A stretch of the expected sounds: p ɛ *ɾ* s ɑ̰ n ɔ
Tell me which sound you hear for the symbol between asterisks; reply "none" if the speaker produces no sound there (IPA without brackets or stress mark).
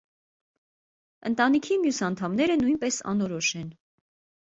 none